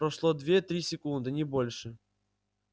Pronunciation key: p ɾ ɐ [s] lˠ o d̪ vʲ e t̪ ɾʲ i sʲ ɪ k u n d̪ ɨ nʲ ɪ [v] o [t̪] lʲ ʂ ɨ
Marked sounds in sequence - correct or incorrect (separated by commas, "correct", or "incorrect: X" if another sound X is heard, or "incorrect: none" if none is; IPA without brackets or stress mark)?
incorrect: ʂ, incorrect: b, incorrect: none